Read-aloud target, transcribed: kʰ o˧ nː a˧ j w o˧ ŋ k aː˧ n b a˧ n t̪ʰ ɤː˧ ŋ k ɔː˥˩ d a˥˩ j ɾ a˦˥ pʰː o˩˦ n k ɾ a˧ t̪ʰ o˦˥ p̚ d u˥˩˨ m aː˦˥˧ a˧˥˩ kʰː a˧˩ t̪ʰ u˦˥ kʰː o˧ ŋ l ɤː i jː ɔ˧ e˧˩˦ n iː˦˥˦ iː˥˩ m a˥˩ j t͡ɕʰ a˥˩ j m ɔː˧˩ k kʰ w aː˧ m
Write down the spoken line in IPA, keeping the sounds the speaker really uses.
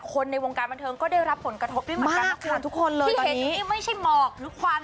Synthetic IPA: kʰ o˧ nː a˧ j w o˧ ŋ k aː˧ n b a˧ n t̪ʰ ɤː˧ ŋ k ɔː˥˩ d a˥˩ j ɾ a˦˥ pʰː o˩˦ n k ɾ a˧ t̪ʰ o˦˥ p̚ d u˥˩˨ m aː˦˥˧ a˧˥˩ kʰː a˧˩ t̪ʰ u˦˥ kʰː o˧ n l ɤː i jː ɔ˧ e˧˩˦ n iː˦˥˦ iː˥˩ m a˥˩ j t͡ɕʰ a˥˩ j m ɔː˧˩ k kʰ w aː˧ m